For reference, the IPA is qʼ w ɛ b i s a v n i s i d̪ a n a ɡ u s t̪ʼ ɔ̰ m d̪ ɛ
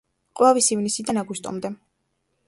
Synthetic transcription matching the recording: qʼ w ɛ v i s i v n i s i d̪ a n a ɡ u s t̪ʼ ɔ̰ m d̪ ɛ